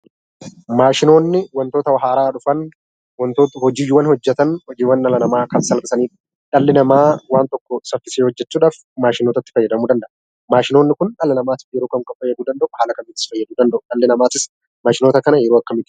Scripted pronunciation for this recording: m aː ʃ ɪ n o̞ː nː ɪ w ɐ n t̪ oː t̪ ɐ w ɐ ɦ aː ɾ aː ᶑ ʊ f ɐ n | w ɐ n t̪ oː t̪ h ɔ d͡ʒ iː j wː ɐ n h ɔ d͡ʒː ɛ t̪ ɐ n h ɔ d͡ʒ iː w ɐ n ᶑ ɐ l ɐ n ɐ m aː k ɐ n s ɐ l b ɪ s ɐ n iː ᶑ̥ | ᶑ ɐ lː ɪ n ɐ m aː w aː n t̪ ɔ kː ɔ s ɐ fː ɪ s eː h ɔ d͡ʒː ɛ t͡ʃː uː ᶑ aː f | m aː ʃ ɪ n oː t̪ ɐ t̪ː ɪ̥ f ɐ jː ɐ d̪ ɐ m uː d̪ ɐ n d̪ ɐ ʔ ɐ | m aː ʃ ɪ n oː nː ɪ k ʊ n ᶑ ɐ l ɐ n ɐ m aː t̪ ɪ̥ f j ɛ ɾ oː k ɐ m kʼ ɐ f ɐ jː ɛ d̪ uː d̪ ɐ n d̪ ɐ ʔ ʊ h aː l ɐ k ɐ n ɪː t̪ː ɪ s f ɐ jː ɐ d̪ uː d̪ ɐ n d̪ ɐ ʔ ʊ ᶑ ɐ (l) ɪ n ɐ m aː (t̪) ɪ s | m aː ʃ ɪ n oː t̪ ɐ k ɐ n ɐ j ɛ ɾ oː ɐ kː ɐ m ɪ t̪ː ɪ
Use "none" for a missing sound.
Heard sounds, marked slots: lː, t̪

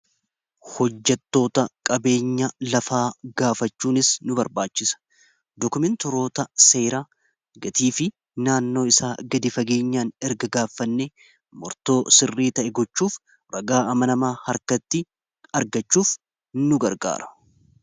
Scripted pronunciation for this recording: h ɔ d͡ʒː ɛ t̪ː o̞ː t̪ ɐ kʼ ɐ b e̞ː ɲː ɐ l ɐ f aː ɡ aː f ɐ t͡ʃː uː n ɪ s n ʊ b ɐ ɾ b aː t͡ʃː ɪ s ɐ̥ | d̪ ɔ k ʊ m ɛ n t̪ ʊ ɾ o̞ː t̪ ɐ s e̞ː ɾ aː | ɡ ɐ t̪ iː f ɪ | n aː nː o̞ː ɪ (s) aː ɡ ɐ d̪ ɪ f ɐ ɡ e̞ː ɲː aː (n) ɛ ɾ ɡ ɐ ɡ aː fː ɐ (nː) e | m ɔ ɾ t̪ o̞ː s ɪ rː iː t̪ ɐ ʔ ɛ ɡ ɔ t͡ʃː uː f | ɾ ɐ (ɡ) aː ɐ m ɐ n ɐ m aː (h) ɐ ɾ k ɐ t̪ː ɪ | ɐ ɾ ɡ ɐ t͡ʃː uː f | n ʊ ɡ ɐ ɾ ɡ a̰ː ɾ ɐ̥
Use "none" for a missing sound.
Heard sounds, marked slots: s, n, nː, ɡ, h

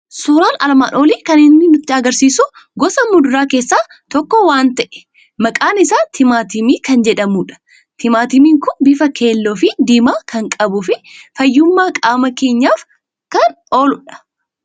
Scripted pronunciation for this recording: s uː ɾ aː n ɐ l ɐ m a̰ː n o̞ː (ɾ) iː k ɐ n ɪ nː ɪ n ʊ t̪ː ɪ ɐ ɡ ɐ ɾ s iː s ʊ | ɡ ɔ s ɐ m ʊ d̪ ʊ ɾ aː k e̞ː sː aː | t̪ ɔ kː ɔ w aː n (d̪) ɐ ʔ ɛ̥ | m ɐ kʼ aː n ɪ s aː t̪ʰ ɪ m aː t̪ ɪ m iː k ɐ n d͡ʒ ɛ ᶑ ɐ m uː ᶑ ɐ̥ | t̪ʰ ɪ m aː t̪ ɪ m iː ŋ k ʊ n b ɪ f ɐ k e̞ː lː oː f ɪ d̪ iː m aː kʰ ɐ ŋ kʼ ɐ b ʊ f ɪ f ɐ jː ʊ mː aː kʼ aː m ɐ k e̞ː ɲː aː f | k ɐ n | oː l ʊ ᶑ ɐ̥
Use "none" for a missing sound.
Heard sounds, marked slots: l, t̪

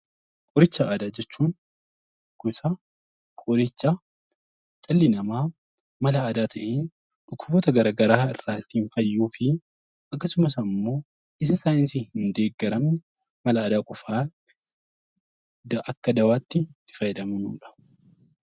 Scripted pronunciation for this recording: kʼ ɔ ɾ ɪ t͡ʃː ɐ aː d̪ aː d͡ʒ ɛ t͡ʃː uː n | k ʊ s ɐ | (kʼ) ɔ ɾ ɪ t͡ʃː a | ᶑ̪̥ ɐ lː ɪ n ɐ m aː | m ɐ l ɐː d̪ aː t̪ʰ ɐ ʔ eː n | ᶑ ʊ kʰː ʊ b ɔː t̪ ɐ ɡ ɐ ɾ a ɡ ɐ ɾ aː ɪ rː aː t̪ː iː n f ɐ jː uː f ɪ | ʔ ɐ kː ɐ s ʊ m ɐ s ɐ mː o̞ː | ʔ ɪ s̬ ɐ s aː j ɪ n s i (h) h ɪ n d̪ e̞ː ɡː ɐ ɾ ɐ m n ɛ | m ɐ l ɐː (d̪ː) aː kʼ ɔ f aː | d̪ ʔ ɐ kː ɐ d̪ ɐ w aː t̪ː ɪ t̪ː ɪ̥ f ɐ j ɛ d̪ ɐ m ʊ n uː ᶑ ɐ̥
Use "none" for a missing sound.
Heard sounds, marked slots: kʼ, h, d̪

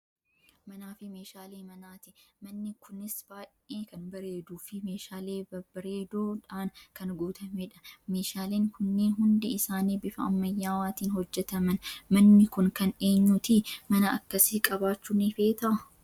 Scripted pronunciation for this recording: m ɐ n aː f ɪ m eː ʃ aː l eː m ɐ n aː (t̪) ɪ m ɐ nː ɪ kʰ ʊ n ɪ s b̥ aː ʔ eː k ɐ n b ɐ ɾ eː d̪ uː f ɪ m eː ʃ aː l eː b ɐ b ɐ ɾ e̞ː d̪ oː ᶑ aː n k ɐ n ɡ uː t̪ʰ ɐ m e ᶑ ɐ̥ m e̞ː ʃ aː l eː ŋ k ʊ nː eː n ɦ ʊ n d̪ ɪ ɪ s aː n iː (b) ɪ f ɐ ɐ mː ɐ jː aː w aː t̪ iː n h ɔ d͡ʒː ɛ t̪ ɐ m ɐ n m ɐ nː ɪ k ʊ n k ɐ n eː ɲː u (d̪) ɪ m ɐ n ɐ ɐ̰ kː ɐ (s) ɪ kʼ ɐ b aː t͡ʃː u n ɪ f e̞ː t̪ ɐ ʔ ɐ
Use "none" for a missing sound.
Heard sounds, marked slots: t̪, b, t̪, s

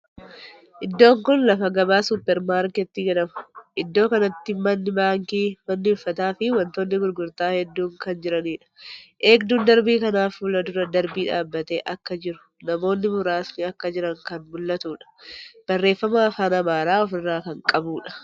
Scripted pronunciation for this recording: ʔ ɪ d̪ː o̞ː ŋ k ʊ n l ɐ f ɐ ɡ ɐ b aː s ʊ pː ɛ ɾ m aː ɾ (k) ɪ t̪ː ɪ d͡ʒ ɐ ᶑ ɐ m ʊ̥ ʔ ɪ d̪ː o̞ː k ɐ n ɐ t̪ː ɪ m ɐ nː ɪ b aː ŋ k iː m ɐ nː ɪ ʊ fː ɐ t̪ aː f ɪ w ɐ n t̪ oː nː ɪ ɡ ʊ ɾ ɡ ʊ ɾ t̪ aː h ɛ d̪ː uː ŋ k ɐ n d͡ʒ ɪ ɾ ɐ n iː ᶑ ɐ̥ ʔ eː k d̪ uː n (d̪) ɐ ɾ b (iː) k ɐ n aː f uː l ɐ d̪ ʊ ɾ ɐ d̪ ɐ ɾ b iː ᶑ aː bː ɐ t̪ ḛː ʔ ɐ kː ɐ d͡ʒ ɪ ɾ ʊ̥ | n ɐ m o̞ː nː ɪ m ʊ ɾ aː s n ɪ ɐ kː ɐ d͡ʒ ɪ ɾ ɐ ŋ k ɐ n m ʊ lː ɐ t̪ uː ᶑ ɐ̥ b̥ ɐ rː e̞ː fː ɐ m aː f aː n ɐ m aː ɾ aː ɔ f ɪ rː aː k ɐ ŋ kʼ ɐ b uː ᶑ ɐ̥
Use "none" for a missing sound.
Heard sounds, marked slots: k, d̪, iː

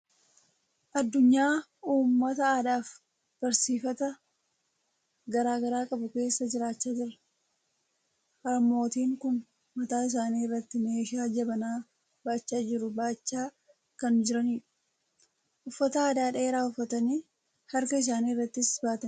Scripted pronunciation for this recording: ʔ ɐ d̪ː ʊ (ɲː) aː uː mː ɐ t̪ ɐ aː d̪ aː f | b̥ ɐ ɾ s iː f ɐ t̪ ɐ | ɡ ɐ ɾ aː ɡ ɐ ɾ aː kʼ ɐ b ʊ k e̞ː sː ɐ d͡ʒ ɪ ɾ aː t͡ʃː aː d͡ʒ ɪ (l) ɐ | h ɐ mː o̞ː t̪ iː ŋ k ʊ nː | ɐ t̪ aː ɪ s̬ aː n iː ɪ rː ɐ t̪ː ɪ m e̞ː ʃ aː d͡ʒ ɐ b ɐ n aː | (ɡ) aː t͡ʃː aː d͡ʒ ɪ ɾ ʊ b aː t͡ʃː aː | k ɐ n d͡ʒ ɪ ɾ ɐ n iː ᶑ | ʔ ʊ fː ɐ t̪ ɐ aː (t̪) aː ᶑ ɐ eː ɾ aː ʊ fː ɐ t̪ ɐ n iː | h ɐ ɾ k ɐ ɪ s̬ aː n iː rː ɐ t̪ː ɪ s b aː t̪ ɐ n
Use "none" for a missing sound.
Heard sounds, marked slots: ɲː, ɾ, b, d̪

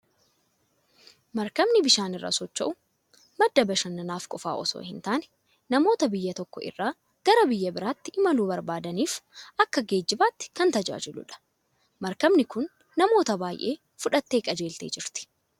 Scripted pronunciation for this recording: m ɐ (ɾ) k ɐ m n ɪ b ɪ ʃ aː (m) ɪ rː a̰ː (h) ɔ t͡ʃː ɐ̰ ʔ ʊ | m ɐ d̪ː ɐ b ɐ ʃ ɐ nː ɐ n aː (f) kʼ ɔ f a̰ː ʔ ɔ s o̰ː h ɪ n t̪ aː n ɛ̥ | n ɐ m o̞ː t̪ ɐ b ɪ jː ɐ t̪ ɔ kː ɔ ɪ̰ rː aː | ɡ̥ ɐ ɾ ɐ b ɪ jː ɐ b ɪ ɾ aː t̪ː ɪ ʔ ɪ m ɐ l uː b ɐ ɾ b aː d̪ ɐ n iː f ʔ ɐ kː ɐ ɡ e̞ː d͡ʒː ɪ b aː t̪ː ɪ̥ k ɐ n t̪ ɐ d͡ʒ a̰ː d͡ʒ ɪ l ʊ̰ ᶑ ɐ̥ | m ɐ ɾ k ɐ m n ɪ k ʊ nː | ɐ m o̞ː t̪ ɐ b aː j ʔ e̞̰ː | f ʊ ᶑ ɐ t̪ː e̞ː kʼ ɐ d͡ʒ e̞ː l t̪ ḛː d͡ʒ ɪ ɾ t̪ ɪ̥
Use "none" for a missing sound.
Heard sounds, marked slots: ɾ, n, s, f

